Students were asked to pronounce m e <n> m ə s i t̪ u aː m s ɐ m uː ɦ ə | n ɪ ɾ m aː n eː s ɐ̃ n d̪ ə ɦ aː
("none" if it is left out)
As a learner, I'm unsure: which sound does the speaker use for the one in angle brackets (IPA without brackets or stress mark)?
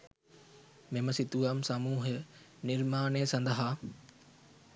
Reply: none